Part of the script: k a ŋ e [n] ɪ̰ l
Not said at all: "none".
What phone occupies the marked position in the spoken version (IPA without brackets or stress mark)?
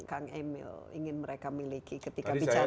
m